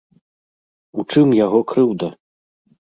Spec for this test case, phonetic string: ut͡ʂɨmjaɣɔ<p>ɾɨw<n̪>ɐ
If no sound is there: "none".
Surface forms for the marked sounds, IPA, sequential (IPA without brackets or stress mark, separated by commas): k, d̪